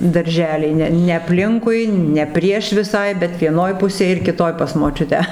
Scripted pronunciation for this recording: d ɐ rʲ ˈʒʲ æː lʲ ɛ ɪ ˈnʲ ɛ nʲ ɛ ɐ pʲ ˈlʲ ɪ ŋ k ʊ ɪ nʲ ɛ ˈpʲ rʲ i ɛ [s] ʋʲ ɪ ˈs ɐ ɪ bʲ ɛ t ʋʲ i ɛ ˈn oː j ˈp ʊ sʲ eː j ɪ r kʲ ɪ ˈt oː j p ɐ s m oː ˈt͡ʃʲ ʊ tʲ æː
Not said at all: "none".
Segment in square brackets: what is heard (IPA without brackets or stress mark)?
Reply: ʃ